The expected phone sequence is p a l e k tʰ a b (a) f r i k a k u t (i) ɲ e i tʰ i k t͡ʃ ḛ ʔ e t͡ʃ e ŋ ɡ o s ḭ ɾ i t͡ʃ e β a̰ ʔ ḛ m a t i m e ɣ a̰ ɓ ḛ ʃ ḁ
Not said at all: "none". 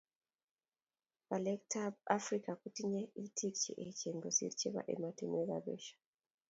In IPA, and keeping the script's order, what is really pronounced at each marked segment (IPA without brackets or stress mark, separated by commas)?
a, i